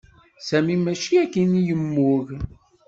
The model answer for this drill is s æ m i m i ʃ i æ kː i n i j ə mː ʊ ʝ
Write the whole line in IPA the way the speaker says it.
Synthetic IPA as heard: s æ m i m æ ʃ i æ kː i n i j ə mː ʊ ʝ